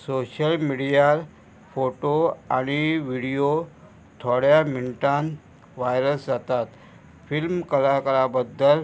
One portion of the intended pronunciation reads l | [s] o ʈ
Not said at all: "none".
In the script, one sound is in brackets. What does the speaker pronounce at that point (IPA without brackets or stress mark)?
f